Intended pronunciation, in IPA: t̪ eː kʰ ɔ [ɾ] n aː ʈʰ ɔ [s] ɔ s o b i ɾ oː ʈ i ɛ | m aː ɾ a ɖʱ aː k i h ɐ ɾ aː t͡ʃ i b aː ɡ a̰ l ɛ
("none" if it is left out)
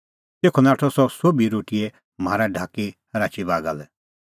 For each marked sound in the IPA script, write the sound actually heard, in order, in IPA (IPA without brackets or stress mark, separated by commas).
none, s